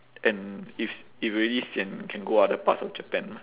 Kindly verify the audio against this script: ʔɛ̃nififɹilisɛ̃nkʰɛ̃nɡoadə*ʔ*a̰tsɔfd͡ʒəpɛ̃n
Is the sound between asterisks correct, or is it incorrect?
incorrect